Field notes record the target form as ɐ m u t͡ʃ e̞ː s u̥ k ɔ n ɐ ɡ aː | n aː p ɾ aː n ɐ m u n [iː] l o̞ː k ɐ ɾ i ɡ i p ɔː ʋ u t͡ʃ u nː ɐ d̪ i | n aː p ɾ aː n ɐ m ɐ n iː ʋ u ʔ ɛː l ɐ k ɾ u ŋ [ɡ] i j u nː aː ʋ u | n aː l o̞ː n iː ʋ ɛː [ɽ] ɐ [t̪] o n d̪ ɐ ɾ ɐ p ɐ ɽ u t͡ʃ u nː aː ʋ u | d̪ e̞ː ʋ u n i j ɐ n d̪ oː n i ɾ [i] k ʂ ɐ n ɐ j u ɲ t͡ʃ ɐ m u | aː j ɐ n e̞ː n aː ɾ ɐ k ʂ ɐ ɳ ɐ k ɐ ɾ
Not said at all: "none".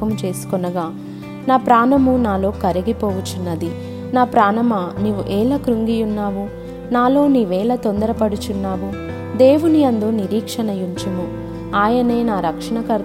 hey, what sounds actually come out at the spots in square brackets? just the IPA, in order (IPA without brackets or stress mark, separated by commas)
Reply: aː, ɡ, l, t̪, iː